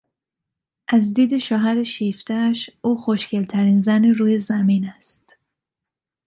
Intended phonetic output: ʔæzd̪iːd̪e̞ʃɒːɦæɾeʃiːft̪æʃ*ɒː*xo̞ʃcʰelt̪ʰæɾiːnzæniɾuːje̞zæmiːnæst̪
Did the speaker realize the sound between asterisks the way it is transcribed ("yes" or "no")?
no